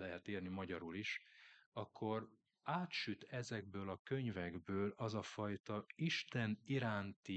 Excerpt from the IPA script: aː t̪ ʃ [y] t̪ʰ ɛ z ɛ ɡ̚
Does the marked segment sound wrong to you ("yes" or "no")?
no